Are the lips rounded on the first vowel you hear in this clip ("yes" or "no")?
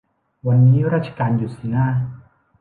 no